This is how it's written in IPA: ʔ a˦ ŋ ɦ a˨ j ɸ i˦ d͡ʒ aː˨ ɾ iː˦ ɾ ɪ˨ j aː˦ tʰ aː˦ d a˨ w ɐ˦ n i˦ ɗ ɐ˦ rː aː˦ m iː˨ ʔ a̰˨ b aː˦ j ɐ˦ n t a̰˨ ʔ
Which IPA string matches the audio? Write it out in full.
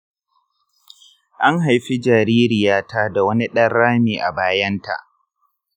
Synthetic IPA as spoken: ʔ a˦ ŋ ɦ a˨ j ɸ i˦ d͡ʒ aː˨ ɾ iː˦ ɾ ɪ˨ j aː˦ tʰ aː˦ d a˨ w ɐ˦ n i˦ ɗ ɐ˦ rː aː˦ m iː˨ ʔ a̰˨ b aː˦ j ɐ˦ n t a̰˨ ʔ